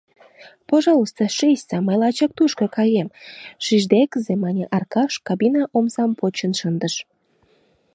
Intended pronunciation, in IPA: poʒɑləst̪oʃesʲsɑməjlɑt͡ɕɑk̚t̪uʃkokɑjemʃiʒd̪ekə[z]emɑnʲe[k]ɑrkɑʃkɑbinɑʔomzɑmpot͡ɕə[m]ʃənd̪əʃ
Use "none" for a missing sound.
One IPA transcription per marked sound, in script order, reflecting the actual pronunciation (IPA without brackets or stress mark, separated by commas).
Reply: z, ʔ, n